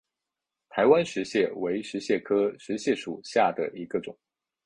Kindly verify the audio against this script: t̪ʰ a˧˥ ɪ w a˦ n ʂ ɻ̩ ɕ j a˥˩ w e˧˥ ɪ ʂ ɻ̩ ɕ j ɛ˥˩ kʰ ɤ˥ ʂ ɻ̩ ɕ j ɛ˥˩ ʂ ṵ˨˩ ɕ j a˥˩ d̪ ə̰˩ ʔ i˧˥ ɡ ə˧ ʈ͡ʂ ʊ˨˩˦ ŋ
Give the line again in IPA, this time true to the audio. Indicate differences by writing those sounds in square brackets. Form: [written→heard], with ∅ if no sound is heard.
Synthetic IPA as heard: t̪ʰ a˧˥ ɪ w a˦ n ʂ ɻ̩ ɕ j [a˥˩→ɛ˥˩] w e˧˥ ɪ ʂ ɻ̩ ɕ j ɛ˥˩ kʰ ɤ˥ ʂ ɻ̩ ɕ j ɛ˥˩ ʂ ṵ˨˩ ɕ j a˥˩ d̪ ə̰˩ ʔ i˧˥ ɡ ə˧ ʈ͡ʂ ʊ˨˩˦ ŋ